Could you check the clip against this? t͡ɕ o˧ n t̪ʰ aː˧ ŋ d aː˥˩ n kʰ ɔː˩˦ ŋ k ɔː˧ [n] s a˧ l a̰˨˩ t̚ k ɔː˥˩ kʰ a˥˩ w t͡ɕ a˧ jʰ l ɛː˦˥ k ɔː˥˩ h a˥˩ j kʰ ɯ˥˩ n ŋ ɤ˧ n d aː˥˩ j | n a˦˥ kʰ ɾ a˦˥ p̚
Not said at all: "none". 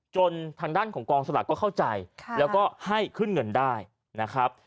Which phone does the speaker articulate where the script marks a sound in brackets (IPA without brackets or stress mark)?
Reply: ŋ